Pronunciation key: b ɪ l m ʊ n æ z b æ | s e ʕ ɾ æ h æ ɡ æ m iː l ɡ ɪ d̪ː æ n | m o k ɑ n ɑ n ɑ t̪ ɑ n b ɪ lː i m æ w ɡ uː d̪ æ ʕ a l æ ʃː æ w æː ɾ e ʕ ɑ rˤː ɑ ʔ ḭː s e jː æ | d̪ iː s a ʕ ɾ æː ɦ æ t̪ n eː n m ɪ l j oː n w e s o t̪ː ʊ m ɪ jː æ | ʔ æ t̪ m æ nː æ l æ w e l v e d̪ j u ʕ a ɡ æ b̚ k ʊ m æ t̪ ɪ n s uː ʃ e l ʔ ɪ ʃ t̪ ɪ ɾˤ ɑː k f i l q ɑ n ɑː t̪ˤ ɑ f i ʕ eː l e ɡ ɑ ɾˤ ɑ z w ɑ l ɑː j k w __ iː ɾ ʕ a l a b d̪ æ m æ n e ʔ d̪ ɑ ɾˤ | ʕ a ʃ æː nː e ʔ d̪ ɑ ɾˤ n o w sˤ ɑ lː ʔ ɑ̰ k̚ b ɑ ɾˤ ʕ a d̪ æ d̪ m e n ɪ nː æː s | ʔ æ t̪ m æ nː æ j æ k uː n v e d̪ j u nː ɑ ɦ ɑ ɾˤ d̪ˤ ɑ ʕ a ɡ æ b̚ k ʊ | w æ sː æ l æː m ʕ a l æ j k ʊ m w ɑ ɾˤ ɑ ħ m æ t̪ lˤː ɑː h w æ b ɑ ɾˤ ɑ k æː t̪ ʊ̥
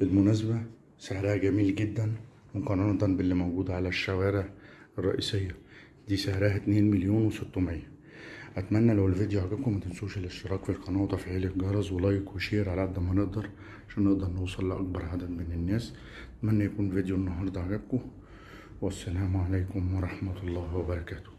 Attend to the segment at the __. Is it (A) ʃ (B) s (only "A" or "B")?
A